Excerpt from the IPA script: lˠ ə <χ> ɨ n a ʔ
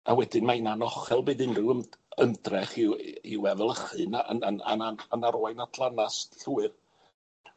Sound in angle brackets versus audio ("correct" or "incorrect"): correct